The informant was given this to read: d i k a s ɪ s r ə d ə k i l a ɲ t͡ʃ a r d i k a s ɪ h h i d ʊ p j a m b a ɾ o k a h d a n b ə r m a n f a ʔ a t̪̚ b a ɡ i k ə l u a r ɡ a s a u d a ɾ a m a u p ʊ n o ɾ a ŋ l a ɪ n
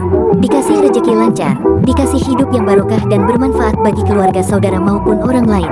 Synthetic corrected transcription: d i k a s ɪ h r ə d͡ʒ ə k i l a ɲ t͡ʃ a r d i k a s ɪ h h i d ʊ p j a ŋ b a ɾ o k a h d a n b ə r m a n f a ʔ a t̪̚ b a ɡ i k ə l u a r ɡ a s a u d a ɾ a m a u p ʊ n o ɾ a ŋ l a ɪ n